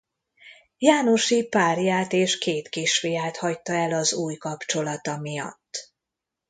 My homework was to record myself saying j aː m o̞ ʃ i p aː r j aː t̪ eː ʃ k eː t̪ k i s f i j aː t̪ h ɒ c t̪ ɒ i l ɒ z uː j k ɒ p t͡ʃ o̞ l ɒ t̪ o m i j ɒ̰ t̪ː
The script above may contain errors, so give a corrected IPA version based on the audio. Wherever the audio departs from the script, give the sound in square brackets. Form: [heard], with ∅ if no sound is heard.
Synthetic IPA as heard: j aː [n] o̞ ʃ i p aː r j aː t̪ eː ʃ k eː t̪ k i [ʃ] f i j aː t̪ h ɒ c t̪ ɒ [ɛ] l ɒ z uː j k ɒ p t͡ʃ o̞ l ɒ t̪ [ɒ] m i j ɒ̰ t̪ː